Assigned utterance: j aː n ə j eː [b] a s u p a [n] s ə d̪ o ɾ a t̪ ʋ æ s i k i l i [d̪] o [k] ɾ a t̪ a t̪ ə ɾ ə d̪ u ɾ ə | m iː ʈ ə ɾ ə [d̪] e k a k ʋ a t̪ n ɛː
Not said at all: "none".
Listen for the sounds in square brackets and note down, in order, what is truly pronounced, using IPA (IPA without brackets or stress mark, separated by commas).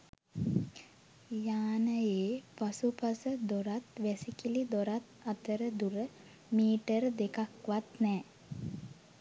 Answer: p, none, d̪, none, d̪